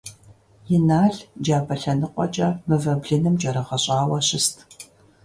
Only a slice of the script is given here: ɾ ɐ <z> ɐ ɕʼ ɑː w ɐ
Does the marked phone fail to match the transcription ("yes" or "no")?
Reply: yes